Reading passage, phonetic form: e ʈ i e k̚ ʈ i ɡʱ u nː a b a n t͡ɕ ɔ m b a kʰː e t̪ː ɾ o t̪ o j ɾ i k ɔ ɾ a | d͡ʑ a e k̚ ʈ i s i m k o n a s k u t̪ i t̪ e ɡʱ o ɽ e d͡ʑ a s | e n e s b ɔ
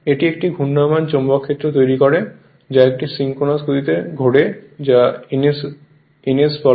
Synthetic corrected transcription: e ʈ i e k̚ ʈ i ɡʱ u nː a m a n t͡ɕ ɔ m b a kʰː e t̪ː ɾ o t̪ o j ɾ i k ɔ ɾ e | d͡ʑ a e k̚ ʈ i s i ŋ k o n a s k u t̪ i t̪ e ɡʱ o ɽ e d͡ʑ a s | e n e s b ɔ